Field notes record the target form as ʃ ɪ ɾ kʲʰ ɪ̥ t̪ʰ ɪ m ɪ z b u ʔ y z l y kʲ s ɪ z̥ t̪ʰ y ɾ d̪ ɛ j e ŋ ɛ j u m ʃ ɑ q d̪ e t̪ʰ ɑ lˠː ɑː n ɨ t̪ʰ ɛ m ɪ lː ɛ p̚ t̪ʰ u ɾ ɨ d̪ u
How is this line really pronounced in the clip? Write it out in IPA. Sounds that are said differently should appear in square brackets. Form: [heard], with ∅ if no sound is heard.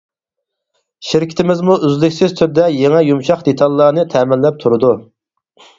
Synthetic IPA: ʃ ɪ ɾ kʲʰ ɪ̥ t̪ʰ ɪ m ɪ z [m] u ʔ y z l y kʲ s ɪ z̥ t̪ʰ y ɾ d̪ ɛ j e ŋ ɛ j u m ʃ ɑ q d̪ e t̪ʰ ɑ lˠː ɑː n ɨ t̪ʰ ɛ m ɪ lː ɛ p̚ t̪ʰ u ɾ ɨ d̪ u